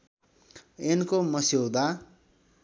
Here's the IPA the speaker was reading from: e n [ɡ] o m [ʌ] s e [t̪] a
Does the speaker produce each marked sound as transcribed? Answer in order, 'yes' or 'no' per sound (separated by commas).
no, yes, no